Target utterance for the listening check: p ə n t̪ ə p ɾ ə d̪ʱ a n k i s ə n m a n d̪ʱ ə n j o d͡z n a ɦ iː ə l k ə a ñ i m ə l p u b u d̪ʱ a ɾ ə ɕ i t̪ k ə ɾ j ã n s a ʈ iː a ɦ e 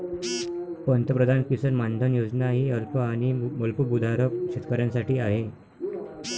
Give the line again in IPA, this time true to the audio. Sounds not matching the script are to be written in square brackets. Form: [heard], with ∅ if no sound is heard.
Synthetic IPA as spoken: p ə n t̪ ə p ɾ ə d̪ʱ a n k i s ə n m a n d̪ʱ ə n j o d͡z n a ɦ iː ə l [p] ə a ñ i m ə l p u b u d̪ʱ a ɾ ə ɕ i t̪ k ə ɾ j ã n s a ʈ iː a ɦ e

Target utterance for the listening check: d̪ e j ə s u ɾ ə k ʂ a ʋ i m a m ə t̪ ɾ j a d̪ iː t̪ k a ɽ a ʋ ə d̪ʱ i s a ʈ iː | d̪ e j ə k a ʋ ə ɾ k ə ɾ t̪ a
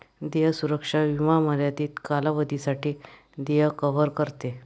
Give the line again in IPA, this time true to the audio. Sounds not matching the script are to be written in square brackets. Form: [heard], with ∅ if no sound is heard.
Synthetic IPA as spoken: d̪ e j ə s u ɾ ə k ʂ a ʋ i m a m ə [∅] ɾ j a [t̪] iː t̪ k a [l] a ʋ ə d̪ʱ i s a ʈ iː | d̪ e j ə k [ə] ʋ ə ɾ k ə ɾ t̪ [e]

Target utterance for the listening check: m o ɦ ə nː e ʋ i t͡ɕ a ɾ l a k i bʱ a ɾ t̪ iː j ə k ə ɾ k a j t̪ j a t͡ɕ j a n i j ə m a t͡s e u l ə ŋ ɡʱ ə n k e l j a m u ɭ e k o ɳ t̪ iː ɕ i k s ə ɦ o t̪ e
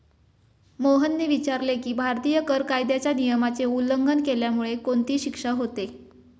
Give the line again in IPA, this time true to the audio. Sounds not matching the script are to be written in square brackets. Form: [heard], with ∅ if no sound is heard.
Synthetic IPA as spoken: m o ɦ ə nː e ʋ i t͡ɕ a ɾ l [e] k [iː] bʱ a ɾ t̪ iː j ə k ə ɾ k a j [d̪] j a t͡ɕ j a n i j ə m a t͡s e u l ə ŋ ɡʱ ə n k e l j a m u ɭ e k o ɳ t̪ iː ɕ i k [ʂ] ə ɦ o t̪ e

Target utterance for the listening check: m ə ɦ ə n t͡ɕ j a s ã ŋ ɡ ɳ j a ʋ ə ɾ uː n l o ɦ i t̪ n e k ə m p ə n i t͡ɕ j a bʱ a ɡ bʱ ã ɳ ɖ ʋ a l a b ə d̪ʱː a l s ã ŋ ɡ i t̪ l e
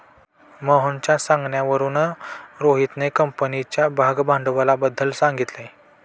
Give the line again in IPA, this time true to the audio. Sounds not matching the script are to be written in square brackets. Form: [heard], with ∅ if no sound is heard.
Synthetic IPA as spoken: m ə ɦ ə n t͡ɕ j a s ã ŋ ɡ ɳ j a ʋ ə ɾ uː n [ɾ] o ɦ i t̪ n e k ə m p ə n i t͡ɕ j a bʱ a ɡ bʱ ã ɳ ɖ ʋ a l a b ə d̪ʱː [ə] l s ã ŋ ɡ i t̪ l e

